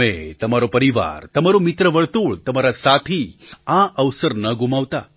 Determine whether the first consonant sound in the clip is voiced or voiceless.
voiceless